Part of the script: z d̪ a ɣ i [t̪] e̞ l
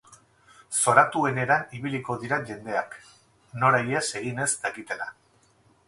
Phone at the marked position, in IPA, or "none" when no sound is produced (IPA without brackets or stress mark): t̪